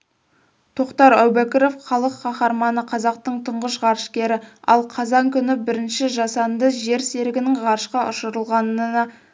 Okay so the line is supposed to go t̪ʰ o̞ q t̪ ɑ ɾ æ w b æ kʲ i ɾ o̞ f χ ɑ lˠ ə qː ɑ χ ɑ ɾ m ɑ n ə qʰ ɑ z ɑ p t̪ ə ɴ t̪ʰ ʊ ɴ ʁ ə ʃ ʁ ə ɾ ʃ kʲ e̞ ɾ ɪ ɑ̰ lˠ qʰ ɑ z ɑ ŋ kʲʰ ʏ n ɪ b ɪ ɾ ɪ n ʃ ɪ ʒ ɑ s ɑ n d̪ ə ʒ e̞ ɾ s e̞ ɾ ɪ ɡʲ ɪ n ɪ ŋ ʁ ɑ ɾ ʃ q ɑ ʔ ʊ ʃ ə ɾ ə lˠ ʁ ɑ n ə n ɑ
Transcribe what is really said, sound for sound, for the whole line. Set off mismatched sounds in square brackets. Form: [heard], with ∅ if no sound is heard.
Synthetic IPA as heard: t̪ʰ o̞ q t̪ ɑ ɾ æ w b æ kʲ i ɾ o̞ f χ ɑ lˠ ə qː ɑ χ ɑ ɾ m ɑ n ə qʰ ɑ z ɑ [q] t̪ ə ɴ t̪ʰ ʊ ɴ ʁ ə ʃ ʁ [ɑ] ɾ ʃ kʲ e̞ ɾ ɪ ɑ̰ lˠ qʰ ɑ z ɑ ŋ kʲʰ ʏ n ɪ b ɪ ɾ ɪ n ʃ ɪ ʒ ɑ s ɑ n d̪ ə ʒ e̞ ɾ s e̞ ɾ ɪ ɡʲ ɪ n ɪ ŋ ʁ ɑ ɾ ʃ q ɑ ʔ ʊ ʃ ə ɾ ə lˠ ʁ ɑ n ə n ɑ